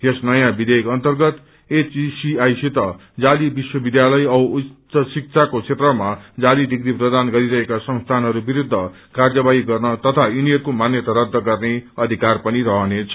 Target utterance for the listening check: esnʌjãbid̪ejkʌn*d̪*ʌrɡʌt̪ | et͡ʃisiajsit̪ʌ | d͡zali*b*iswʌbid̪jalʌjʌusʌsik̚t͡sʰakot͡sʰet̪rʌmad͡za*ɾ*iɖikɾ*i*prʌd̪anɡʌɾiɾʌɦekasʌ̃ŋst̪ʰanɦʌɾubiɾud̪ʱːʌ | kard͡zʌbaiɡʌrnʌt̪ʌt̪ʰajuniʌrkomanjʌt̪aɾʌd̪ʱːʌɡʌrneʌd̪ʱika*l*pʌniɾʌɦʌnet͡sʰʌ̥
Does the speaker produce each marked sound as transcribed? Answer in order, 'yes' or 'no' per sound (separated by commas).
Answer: no, yes, no, yes, no